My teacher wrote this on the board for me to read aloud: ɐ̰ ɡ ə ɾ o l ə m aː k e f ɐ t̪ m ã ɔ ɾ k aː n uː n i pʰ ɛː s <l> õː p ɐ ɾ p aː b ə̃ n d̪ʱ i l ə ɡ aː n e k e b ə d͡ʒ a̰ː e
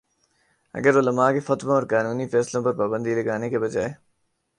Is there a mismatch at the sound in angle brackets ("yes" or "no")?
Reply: no